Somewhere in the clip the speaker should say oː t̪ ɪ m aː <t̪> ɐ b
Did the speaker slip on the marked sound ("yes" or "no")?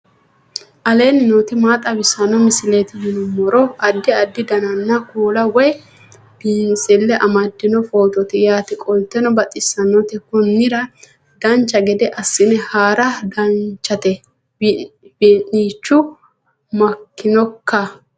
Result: yes